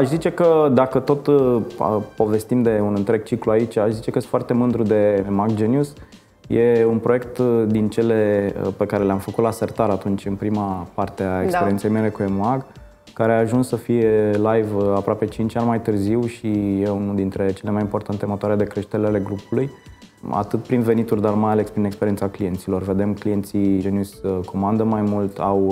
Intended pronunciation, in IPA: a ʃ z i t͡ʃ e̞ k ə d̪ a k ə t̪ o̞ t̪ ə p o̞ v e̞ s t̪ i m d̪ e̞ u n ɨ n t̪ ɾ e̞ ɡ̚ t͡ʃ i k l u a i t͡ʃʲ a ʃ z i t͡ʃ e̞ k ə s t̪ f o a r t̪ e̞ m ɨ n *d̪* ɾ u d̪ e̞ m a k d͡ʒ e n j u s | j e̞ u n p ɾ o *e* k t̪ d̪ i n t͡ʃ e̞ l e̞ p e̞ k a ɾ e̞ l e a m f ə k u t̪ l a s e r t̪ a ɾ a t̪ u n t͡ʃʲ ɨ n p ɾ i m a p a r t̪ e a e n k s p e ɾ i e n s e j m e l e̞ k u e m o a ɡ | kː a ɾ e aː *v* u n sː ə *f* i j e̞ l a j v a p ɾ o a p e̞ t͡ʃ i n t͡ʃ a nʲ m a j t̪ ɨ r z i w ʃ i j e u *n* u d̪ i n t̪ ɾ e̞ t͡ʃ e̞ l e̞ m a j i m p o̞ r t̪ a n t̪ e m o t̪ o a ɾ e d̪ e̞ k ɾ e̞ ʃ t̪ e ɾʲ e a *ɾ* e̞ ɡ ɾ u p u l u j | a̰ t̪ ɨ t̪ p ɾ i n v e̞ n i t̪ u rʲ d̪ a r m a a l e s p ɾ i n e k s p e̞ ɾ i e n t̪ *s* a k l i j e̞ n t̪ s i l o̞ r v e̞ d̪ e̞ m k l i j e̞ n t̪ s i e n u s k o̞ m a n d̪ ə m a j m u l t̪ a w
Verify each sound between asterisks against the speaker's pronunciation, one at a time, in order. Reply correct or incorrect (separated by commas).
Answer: correct, correct, incorrect, correct, correct, incorrect, correct